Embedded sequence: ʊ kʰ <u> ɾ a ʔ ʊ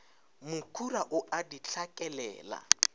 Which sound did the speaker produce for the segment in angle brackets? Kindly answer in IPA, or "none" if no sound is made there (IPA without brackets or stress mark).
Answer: u